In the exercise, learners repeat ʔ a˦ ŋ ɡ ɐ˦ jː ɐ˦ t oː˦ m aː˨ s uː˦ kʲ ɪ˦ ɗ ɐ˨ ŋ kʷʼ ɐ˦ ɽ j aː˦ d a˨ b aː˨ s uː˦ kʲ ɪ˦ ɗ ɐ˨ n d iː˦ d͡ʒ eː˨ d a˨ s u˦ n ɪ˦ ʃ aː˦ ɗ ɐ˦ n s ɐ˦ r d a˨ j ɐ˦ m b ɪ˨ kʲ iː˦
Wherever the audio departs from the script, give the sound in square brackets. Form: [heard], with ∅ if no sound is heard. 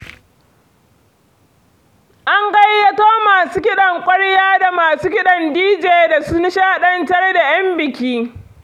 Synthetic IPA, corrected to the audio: ʔ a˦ ŋ ɡ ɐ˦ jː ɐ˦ t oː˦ m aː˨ s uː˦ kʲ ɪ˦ ɗ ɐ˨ ŋ kʷʼ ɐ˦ ɽ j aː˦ d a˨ [m] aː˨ s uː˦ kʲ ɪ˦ ɗ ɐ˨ n d iː˦ d͡ʒ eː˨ d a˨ s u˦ n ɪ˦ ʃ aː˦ ɗ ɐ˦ n [t] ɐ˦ r d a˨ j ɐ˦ m b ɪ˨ kʲ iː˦